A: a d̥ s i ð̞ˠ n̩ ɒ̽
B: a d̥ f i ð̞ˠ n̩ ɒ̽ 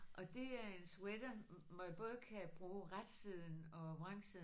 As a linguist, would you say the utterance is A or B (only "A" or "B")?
A